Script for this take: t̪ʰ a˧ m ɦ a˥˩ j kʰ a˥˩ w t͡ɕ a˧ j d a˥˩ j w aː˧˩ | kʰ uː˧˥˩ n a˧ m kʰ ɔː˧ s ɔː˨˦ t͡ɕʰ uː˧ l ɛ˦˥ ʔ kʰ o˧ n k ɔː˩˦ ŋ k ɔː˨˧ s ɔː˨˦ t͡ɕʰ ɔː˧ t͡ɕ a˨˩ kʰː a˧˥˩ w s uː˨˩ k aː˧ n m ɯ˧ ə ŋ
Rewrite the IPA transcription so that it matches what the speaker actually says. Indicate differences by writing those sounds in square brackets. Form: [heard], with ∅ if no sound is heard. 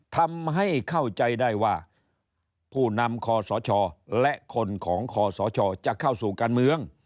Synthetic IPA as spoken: t̪ʰ a˧ m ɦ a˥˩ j kʰ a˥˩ w t͡ɕ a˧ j d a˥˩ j w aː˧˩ | [pʰ] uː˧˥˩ n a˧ m kʰ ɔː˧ s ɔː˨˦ t͡ɕʰ [ɔː˧] l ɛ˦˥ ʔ kʰ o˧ n [kʰ] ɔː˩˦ ŋ [kʰ] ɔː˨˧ s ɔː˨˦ t͡ɕʰ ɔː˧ t͡ɕ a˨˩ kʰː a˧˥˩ w s uː˨˩ k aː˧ n m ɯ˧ ə ŋ